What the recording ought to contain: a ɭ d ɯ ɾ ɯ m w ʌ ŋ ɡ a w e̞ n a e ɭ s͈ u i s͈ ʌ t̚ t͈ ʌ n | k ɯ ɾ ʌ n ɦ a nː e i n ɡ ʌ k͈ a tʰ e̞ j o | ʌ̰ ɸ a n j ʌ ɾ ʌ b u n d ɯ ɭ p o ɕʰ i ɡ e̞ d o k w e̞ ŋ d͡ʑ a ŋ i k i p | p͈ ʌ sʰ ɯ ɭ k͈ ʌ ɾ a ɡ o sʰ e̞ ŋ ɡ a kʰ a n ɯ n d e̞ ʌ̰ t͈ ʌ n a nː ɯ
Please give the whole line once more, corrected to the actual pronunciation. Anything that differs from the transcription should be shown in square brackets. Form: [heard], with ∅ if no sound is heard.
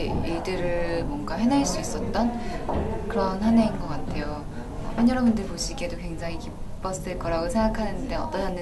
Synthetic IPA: [i] ɭ d ɯ ɾ ɯ m w ʌ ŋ ɡ a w e̞ n a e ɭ s͈ u i s͈ ʌ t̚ t͈ ʌ n | k ɯ ɾ ʌ n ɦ a [n] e i n ɡ ʌ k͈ a tʰ e̞ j o | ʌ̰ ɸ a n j ʌ ɾ ʌ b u n d ɯ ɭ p o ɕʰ i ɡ e̞ d o k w e̞ ŋ d͡ʑ a ŋ i k i p | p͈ ʌ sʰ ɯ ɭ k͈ ʌ ɾ a ɡ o sʰ e̞ ŋ ɡ a kʰ a n ɯ n d e̞ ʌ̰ t͈ ʌ n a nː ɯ